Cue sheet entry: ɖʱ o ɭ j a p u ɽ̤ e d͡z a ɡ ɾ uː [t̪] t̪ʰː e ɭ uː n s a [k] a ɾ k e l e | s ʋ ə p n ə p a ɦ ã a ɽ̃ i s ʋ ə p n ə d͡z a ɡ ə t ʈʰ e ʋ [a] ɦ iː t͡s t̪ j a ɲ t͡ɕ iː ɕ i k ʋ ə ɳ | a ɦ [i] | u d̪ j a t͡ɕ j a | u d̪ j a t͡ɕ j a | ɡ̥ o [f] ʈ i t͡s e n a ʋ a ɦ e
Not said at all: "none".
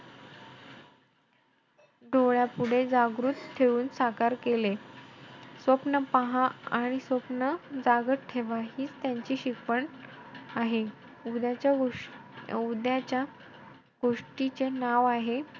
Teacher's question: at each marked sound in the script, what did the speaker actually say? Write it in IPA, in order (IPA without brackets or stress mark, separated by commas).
t̪, k, a, e, ʂ